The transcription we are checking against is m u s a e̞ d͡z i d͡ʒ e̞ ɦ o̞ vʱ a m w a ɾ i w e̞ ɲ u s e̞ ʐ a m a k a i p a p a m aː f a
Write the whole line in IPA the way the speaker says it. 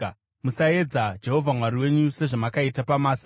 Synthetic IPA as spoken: m u s a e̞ d͡z a d͡ʒ e̞ ɦ o̞ vʱ a m w a ɾ i w e̞ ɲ u s e̞ ʐ a m a k a i t a p a m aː s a